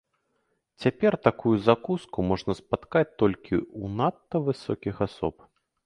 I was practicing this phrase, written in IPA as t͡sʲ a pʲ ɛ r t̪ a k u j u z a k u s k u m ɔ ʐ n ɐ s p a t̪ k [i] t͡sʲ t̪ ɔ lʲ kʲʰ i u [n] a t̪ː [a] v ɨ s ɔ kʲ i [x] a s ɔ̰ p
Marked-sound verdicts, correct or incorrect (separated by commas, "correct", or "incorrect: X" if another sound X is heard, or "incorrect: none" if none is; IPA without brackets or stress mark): incorrect: a, correct, incorrect: ɐ, correct